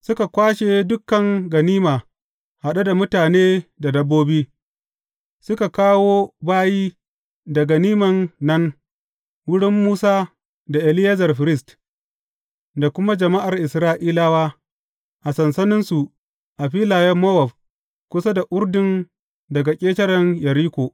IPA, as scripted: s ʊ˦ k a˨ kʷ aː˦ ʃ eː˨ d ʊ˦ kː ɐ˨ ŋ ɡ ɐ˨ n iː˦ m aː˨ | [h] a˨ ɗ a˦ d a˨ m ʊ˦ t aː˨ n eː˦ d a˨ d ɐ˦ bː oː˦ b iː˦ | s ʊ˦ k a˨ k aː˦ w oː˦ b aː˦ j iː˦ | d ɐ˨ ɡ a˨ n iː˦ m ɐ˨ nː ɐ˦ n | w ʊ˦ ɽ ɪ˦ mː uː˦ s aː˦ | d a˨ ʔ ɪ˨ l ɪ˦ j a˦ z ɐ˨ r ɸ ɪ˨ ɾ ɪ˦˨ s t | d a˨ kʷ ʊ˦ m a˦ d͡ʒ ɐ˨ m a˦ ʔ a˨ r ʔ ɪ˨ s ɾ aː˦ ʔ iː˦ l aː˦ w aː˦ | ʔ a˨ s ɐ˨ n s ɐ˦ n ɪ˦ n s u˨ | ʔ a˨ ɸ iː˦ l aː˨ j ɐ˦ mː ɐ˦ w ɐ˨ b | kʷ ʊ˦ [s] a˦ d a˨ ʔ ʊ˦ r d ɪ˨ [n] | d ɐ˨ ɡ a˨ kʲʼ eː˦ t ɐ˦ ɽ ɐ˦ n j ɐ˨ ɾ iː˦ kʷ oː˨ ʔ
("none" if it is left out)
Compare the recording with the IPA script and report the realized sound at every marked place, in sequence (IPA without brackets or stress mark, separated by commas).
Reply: h, s, n